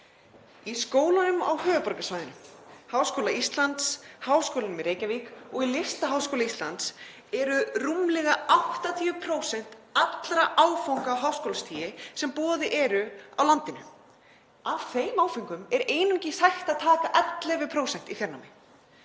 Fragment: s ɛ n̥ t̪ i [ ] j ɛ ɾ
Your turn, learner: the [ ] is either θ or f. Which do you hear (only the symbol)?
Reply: f